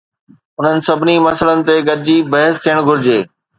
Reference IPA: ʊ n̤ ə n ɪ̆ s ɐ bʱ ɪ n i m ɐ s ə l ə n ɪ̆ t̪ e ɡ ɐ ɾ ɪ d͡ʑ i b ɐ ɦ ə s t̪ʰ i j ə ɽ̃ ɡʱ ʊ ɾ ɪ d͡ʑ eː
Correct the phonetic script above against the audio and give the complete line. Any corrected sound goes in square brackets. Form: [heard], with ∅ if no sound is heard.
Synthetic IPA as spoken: ʊ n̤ ə n ɪ̆ s ɐ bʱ ɪ n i m ɐ s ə l ə n ɪ̆ t̪ e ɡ ɐ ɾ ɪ d͡ʑ i b ɐ ɦ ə s t̪ʰ i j ə ɽ̃ ɡʱ ʊ ɾ ɪ d͡ʑ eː